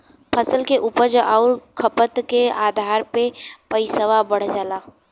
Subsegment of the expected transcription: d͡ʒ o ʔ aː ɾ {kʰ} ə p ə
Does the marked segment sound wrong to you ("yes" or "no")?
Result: no